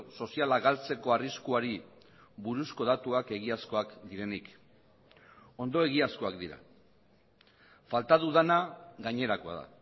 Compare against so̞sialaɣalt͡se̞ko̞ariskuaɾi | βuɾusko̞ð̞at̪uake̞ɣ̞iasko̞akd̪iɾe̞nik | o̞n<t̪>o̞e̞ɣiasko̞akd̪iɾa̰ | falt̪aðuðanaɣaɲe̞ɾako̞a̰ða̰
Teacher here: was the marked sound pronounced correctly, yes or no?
no